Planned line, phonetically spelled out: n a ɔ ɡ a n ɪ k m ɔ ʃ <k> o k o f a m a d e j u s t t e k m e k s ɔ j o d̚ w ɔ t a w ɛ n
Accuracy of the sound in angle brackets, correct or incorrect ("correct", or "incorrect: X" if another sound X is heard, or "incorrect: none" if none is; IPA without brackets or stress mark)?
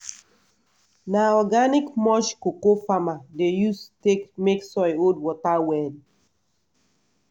correct